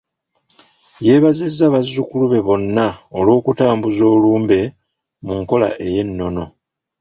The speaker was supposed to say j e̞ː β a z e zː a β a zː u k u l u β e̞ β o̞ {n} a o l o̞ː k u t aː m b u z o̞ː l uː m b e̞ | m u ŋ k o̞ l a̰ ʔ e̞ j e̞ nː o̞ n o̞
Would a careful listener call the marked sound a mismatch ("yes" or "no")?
yes